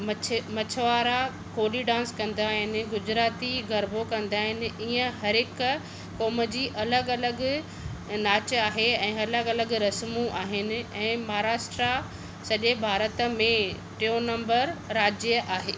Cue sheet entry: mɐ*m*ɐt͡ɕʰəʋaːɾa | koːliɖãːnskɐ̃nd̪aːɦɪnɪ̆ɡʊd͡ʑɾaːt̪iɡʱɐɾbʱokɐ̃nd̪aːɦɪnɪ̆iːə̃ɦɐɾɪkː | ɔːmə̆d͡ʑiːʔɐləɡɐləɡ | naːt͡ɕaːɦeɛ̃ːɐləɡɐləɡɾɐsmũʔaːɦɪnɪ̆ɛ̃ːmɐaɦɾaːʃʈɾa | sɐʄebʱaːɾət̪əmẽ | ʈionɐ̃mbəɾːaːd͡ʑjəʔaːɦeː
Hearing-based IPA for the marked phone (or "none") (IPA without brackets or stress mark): m